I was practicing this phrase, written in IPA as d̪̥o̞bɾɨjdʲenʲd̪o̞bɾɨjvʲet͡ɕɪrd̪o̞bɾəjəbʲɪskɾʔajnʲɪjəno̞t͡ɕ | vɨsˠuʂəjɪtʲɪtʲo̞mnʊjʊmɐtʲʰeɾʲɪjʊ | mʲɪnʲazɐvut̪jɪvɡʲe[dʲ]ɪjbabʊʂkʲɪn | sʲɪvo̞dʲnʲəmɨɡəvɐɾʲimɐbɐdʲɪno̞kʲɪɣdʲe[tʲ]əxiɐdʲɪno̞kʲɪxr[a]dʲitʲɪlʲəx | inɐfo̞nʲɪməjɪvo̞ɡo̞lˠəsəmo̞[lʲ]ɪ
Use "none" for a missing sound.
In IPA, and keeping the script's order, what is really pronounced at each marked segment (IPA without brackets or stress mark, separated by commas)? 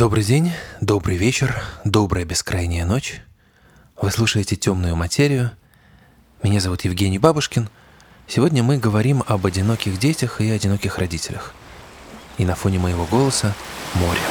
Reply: nʲ, tʲ, ɐ, ɾʲ